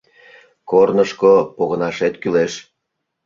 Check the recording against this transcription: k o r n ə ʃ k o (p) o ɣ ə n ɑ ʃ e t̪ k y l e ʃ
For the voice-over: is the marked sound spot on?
yes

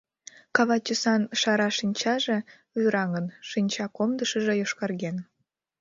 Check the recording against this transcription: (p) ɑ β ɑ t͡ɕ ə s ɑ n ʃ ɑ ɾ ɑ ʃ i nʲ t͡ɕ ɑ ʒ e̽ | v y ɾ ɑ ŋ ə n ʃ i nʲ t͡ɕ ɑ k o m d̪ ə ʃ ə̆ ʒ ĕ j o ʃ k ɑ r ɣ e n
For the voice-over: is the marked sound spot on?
no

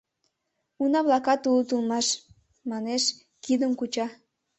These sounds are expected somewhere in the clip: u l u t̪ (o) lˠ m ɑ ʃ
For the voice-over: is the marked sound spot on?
no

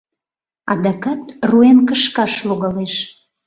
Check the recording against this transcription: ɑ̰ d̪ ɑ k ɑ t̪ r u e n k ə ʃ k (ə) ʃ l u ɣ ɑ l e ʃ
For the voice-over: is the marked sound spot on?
no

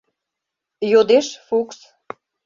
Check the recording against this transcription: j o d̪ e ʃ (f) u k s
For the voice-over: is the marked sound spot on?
yes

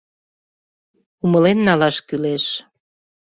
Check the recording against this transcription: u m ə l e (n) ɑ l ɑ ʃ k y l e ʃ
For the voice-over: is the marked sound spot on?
no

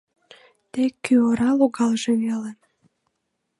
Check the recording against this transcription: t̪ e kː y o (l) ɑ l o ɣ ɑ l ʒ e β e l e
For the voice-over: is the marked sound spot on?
no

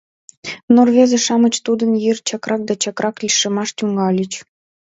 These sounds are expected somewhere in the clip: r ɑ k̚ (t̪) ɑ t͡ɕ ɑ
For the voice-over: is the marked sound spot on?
no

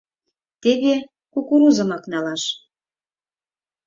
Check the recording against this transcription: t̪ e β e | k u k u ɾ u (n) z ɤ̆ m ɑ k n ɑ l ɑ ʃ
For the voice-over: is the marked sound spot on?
no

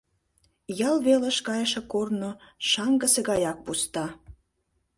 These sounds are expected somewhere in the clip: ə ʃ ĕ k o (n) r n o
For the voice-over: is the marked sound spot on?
no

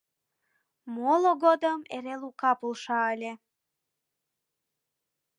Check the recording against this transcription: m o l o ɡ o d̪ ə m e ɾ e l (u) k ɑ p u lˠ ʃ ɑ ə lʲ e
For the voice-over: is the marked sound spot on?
yes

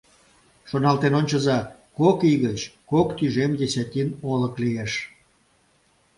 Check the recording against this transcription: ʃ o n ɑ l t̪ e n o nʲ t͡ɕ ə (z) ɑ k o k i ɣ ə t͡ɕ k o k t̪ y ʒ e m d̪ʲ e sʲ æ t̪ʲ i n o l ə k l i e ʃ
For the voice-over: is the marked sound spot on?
yes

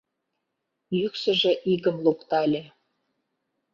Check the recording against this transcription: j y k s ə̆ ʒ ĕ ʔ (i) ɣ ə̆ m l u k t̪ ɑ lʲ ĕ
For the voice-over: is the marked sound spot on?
yes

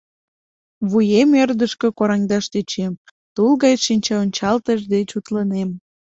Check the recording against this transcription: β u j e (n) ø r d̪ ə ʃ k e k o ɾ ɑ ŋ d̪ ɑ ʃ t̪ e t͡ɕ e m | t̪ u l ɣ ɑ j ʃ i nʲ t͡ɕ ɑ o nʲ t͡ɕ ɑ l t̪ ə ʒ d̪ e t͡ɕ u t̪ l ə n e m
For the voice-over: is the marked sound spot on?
no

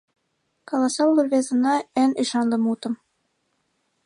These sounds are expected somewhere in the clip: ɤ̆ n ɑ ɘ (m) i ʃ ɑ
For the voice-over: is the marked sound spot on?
no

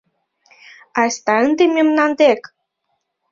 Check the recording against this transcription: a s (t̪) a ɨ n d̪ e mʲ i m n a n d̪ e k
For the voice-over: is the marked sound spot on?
yes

